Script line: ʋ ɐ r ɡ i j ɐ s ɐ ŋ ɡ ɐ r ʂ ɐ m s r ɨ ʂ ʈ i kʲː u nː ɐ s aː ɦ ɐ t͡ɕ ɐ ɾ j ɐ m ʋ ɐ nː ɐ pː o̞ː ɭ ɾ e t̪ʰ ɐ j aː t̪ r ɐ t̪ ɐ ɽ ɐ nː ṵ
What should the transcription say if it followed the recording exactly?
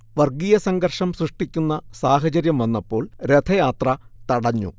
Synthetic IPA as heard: ʋ ɐ r ɡ i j ɐ s ɐ ŋ ɡ ɐ r ʂ ɐ m s r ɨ ʂ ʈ i kʲː u nː ɐ s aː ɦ ɐ t͡ɕ ɐ ɾ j ɐ m ʋ ɐ nː ɐ pː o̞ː ɭ ɾ e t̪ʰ ɐ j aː t̪ r ɐ t̪ ɐ ɽ ɐ ɲː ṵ